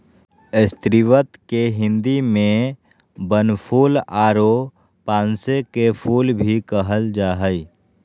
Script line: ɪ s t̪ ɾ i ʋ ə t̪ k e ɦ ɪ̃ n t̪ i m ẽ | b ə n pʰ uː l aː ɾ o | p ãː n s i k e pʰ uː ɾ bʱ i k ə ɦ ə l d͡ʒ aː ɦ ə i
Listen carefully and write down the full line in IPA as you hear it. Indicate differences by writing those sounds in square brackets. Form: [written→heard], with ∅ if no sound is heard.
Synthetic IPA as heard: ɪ s t̪ ɾ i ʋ ə t̪ k e ɦ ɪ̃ n [t̪→d̪] i m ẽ | b ə n pʰ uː l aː ɾ o | p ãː n s [i→e] k e pʰ uː [ɾ→l] bʱ i k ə ɦ ə l d͡ʒ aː ɦ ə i